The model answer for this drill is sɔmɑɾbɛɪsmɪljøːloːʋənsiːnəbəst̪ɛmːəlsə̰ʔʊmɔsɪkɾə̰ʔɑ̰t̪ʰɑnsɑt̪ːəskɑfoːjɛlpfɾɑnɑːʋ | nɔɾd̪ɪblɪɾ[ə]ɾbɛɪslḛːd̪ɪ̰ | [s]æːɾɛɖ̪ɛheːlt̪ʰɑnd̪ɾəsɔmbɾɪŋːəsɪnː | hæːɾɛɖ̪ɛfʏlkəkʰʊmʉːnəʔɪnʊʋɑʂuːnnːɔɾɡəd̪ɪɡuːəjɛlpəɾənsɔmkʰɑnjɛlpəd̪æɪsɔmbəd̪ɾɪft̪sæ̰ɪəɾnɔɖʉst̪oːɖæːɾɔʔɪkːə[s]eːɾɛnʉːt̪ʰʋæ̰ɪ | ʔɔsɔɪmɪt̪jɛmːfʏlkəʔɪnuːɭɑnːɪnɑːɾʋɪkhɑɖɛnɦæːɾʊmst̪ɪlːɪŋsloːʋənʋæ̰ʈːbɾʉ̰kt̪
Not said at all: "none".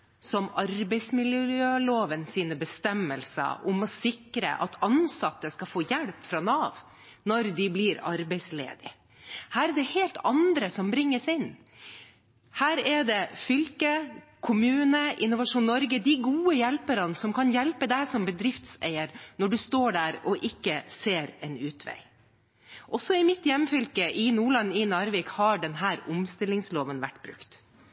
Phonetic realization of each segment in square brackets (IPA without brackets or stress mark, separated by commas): ɑ, h, s